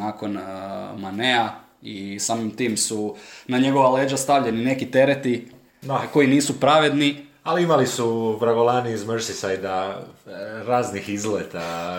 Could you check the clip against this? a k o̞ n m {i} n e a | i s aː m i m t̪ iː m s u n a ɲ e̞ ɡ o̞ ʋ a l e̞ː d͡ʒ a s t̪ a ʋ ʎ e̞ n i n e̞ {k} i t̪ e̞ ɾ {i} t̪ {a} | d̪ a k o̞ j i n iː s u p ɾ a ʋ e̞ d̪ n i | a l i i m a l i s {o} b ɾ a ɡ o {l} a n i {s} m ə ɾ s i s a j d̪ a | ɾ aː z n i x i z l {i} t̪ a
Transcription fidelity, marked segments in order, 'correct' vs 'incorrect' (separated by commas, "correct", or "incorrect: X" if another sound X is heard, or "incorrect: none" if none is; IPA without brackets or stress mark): incorrect: a, correct, incorrect: e, incorrect: i, incorrect: u, correct, incorrect: z, incorrect: e